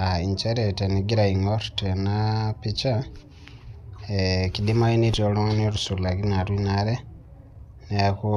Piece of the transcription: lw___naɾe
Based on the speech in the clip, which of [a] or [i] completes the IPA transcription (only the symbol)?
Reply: i